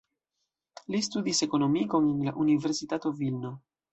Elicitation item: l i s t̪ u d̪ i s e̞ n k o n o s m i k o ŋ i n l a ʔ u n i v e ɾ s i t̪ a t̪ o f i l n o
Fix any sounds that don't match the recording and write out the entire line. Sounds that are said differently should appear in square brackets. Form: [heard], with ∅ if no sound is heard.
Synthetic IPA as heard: l i s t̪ u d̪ i s e̞ [∅] k o n o [∅] m i k o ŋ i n l a ʔ u n i v e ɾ s i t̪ a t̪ o [v] i l n o